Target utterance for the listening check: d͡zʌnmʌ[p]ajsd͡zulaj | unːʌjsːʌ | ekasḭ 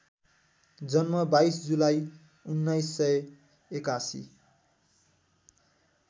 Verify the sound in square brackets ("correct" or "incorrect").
incorrect